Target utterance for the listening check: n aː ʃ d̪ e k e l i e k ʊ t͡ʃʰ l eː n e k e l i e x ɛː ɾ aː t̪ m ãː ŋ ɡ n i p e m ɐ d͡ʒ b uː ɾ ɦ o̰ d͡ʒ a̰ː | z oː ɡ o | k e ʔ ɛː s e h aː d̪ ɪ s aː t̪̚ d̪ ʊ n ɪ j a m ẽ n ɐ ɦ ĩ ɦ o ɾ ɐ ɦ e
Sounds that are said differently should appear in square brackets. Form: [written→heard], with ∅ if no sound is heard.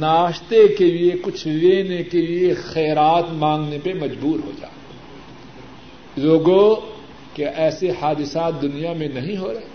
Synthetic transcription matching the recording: n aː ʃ [d̪→t̪] e k e l i e k ʊ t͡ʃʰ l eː n e k e l i e x ɛː ɾ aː t̪ m ãː ŋ ɡ n [i→e] p e m ɐ d͡ʒ b uː ɾ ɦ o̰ d͡ʒ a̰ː | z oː ɡ o | k e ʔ ɛː s e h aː d̪ ɪ s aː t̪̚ d̪ ʊ n [ɪ→i] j a m ẽ n ɐ ɦ ĩ ɦ o ɾ ɐ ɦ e